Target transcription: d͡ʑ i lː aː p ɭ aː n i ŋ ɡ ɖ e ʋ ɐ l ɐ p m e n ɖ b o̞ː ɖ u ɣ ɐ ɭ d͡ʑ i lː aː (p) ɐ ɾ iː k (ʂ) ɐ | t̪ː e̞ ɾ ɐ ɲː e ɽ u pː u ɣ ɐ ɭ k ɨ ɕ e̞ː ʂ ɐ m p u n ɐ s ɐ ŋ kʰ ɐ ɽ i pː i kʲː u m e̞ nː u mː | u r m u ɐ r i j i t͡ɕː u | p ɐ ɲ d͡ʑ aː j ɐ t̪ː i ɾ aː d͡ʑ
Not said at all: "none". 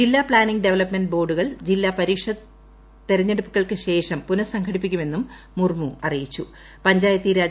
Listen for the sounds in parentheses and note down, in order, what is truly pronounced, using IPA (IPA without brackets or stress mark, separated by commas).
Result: p, ʂ